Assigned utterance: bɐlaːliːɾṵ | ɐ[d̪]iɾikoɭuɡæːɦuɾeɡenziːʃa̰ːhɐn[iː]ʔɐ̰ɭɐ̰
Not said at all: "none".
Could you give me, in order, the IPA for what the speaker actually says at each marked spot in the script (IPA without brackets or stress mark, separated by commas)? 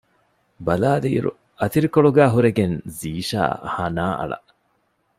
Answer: t̪, aː